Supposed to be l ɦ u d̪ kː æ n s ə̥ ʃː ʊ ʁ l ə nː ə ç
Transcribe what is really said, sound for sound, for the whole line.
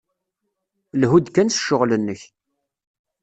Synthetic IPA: l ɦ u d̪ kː æ n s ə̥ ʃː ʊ ʁ l ə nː ə ç